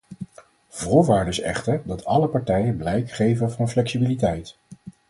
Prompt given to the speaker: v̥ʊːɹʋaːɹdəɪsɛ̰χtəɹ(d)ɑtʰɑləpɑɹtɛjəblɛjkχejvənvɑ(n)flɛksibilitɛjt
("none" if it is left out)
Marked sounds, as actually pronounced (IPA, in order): d, n

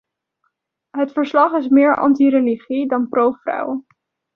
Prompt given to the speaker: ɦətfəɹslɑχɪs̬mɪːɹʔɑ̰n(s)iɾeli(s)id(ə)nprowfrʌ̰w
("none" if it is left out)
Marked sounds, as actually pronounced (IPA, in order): t, χ, ɑ

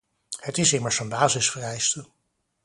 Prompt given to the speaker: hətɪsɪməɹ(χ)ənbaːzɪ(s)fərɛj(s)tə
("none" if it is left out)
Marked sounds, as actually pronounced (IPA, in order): s, s, s

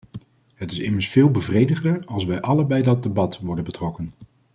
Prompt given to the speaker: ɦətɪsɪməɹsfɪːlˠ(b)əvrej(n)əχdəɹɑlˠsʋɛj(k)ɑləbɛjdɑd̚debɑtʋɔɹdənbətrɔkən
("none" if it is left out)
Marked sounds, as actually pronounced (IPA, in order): b, d, ʔ

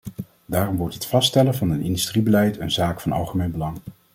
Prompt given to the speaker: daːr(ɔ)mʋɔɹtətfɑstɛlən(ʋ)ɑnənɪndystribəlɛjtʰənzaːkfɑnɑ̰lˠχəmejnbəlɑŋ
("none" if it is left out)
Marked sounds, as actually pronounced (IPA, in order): ɔ, v

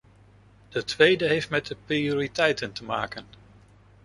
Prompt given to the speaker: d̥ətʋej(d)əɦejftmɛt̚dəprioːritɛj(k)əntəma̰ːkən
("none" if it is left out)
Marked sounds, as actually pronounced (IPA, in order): d, t

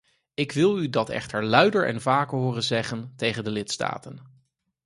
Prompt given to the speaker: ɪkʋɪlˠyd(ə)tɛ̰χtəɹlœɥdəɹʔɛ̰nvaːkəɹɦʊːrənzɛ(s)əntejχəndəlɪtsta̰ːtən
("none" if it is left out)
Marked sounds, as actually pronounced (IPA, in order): ɑ, χ

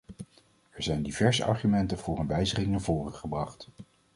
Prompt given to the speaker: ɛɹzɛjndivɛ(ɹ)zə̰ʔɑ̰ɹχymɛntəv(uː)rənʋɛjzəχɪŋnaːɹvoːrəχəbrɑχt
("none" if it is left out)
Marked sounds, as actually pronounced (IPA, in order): ɹ, ʊː

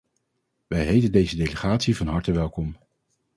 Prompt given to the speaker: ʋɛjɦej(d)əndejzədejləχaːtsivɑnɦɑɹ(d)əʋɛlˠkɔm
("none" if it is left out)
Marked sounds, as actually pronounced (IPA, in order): t, t

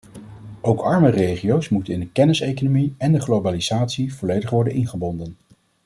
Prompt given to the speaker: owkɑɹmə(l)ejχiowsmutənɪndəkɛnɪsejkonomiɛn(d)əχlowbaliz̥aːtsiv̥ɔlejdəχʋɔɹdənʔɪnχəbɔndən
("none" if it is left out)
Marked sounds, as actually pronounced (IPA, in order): r, d

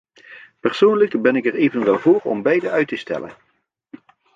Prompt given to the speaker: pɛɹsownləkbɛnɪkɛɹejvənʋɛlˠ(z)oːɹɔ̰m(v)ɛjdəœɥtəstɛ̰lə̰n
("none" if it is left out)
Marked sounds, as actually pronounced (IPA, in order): v, b

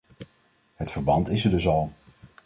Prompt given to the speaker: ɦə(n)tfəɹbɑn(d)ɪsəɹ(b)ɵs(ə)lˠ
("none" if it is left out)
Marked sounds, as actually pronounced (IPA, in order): none, t, d, ɑ

